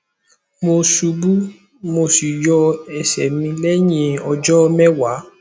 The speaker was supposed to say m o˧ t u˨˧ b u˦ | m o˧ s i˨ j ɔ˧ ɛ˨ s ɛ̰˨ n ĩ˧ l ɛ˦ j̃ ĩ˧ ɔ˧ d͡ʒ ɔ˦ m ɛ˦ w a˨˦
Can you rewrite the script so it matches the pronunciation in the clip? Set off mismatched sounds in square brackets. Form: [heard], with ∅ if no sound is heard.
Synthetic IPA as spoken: m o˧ [s] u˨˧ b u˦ | m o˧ s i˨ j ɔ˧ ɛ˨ s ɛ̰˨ [m] ĩ˧ l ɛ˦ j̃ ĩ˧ ɔ˧ d͡ʒ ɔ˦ m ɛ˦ w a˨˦